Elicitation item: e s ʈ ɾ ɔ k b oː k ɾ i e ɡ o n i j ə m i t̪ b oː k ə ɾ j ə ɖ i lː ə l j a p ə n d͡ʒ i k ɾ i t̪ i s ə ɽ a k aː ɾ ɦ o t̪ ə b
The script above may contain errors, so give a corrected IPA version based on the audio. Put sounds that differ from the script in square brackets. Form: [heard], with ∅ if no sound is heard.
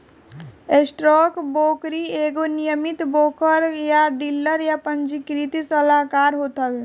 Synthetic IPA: e s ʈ ɾ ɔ k b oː k ɾ i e ɡ o n i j ə m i t̪ b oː k ə ɾ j [a] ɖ i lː ə [ɾ] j a p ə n d͡ʒ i k ɾ i t̪ i s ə [l] a k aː ɾ ɦ o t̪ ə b